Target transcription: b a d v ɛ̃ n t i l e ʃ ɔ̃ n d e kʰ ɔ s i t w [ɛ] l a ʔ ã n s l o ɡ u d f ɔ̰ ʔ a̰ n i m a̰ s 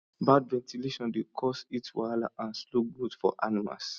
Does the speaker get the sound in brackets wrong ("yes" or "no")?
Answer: yes